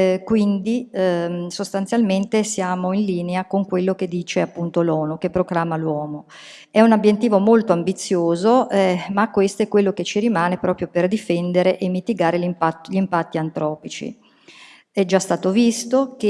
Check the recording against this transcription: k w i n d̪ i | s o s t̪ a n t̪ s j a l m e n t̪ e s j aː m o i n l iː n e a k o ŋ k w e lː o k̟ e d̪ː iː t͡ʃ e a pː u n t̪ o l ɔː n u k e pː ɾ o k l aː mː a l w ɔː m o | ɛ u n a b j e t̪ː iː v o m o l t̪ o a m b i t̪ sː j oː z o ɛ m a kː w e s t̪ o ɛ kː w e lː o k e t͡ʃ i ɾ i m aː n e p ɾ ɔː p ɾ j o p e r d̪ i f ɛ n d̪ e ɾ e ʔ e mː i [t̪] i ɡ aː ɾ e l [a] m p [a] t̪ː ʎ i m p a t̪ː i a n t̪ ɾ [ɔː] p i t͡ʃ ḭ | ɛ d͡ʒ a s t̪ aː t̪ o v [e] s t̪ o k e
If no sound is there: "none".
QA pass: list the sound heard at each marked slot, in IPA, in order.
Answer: t̪, i, a, ɔː, i

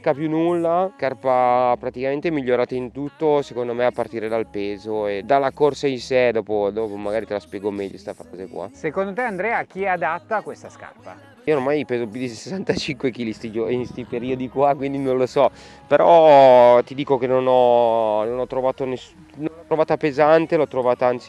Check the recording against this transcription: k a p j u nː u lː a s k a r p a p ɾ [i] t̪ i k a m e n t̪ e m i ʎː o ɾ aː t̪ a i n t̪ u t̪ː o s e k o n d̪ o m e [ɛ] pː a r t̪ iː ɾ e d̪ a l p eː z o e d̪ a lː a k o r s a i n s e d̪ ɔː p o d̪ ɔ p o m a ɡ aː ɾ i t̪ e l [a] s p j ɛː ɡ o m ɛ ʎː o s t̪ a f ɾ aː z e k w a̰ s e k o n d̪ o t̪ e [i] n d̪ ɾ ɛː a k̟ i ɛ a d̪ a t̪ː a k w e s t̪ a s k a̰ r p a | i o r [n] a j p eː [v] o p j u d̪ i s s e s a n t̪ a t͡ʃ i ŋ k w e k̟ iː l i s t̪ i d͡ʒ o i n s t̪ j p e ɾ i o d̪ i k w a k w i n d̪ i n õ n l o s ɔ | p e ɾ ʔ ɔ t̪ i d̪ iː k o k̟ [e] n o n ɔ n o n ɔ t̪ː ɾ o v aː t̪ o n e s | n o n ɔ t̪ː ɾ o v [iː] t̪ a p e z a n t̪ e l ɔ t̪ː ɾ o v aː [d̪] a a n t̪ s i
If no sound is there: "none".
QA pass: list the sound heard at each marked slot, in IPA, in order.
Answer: a, a, a, a, m, z, e, aː, t̪

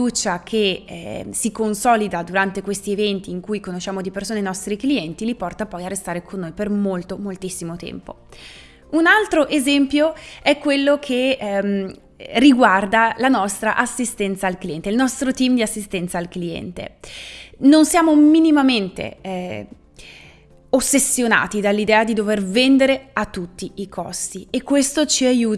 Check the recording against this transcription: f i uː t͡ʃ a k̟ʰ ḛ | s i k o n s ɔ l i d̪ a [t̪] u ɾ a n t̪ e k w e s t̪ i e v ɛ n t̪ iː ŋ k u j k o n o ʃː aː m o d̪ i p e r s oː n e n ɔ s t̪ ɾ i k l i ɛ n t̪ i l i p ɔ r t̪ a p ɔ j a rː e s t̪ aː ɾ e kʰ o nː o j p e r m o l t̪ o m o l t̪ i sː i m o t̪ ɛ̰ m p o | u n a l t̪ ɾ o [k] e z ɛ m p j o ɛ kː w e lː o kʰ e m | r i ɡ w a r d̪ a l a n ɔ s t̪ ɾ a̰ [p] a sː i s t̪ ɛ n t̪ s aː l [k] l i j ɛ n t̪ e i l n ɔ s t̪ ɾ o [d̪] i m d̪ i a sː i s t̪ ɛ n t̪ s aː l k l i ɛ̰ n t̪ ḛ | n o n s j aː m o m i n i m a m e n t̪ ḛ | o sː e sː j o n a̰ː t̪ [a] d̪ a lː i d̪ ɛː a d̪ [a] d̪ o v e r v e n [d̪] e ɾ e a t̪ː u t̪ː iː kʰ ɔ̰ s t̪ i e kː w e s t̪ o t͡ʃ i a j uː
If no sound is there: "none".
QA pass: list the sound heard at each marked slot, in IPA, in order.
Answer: d̪, ʔ, ʔ, k, t̪, i, i, d̪

